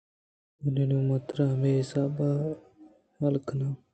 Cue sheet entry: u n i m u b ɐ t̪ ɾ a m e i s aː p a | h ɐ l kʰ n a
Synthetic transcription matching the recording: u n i n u m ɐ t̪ ɾ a m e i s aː b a | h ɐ l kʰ n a